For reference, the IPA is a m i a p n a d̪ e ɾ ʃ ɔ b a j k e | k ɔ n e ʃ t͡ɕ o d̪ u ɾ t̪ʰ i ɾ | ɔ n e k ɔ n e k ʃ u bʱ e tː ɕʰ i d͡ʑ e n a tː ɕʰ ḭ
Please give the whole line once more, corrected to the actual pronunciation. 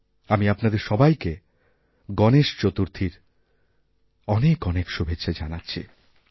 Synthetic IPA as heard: a m i a p n a d̪ e ɾ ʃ ɔ b a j k e | ɡ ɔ n e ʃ t͡ɕ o t̪ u ɾ t̪ʰ i ɾ | ɔ n e k ɔ n e k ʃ u bʱ e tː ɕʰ a d͡ʑ a n a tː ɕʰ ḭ